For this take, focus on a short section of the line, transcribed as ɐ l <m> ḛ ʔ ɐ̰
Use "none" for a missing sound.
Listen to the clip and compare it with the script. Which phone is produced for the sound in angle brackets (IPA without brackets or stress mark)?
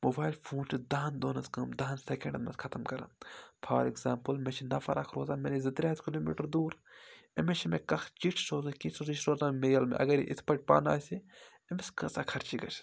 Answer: m